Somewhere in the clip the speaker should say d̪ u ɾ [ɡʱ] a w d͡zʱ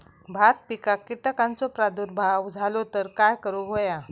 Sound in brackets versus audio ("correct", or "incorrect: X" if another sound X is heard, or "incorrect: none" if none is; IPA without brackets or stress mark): incorrect: bʱ